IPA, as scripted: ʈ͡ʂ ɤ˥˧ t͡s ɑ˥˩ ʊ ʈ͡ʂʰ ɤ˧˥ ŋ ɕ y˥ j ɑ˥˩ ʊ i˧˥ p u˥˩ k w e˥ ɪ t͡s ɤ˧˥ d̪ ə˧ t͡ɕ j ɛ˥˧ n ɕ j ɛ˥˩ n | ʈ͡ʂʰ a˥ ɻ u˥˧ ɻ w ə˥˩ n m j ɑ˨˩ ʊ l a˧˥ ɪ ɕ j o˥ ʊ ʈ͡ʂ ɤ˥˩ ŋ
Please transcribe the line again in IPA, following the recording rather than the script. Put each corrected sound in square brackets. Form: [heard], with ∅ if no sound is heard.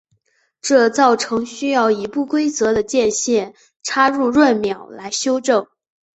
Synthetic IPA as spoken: ʈ͡ʂ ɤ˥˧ t͡s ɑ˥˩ ʊ ʈ͡ʂʰ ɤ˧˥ ŋ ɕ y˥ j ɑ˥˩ ʊ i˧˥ p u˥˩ k w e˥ ɪ t͡s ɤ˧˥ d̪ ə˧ t͡ɕ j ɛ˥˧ n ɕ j ɛ˥˩ n | ʈ͡ʂʰ a˥ ɻ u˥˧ ɻ w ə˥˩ n m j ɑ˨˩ ʊ l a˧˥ ɪ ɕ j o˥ ʊ ʈ͡ʂ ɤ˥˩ ŋ